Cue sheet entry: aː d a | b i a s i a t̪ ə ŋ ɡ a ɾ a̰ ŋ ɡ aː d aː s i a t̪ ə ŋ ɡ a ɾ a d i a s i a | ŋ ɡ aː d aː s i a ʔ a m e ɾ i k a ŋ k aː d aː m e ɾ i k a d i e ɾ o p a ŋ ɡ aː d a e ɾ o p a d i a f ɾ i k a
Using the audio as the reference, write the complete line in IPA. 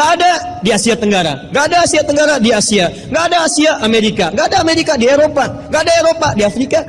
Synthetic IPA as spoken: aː d a | d i a s i a t̪ ə ŋ ɡ a ɾ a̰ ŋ ɡ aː d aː s i a t̪ ə ŋ ɡ a ɾ a d i a s i a | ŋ ɡ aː d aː s i a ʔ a m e ɾ i k a ŋ ɡ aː d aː m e ɾ i k a d i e ɾ o p a ŋ ɡ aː d a e ɾ o p a d i a f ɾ i k a